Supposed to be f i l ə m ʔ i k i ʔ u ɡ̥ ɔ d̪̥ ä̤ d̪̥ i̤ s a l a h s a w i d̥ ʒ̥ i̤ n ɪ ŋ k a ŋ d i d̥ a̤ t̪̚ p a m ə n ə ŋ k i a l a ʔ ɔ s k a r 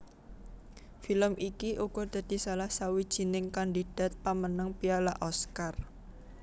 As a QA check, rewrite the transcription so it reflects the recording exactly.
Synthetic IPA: f i l ə m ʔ i k i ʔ u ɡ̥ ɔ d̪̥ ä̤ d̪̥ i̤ s a l a h s a w i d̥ ʒ̥ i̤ n ɪ ŋ k a n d i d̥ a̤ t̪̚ p a m ə n ə ŋ p i a l a ʔ ɔ s k a r